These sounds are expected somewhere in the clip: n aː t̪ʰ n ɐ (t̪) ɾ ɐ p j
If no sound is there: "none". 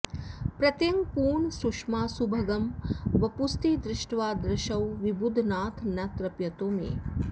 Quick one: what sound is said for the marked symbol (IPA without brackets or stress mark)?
t̪